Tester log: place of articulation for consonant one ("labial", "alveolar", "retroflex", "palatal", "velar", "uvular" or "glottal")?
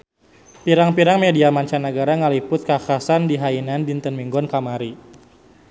labial